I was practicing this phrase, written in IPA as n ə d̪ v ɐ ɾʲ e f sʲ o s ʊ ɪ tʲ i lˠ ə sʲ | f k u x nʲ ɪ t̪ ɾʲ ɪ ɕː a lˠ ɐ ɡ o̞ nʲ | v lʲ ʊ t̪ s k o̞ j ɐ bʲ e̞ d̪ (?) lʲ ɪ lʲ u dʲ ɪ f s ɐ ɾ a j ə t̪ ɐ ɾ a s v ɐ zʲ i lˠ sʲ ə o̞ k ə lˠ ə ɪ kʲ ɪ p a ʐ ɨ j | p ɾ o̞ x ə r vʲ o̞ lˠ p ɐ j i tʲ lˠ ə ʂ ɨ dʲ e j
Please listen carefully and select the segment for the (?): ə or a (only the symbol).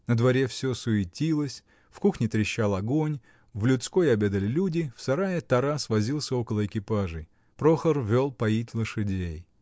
ə